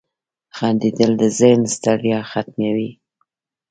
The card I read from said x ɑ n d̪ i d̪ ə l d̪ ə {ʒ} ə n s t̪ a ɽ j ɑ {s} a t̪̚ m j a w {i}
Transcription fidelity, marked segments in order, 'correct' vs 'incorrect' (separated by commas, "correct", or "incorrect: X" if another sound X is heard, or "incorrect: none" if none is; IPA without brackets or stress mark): incorrect: z, incorrect: x, correct